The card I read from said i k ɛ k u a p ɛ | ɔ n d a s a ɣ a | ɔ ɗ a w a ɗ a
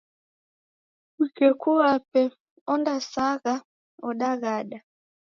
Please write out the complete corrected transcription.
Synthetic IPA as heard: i k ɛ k u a p ɛ | ɔ n d a s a ɣ a | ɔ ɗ a ɣ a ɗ a